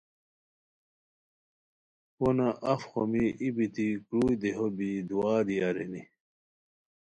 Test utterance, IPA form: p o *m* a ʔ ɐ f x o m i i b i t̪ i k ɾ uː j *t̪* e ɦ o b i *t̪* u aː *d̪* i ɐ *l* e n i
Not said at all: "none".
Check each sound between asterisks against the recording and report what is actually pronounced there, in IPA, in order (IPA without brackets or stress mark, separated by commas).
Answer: n, d̪, d̪, d̪, ɾ